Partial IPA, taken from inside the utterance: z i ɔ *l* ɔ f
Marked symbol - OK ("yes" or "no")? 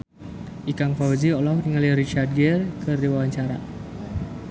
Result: yes